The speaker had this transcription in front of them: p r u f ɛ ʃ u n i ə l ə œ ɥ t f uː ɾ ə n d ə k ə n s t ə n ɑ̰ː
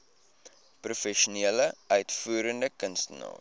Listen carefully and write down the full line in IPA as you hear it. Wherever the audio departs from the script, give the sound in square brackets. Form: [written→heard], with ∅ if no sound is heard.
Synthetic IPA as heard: p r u f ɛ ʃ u n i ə l ə œ ɥ t f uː ɾ ə n d ə k ə n s t ə n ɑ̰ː